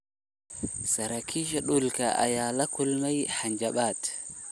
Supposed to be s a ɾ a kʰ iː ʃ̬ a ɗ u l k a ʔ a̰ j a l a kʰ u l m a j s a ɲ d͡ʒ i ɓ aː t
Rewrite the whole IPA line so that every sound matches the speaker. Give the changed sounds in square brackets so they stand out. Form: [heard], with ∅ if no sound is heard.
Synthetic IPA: s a ɾ a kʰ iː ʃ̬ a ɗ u l k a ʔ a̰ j a l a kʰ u l m a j [h] a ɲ d͡ʒ [a] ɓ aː t